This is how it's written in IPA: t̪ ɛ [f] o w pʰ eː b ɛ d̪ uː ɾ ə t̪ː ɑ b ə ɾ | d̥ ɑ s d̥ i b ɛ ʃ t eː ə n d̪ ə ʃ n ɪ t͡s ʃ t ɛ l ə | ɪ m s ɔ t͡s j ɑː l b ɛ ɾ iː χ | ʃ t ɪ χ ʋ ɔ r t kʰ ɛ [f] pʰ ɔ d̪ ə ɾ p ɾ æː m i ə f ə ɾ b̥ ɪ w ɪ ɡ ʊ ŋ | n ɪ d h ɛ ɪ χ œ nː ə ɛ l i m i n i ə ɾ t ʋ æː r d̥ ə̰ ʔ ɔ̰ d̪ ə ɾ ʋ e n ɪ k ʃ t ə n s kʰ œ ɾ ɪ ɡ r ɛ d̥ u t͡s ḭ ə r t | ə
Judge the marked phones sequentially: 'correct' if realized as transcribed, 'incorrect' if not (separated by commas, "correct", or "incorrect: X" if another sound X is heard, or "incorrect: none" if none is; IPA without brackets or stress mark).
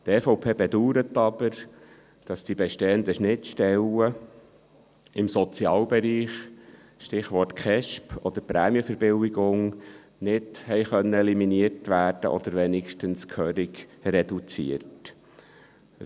correct, incorrect: ʃ